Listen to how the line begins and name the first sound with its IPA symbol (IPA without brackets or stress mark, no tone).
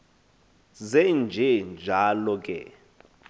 z